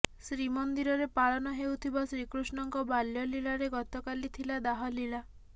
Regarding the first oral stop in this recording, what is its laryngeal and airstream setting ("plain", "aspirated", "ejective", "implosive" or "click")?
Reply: plain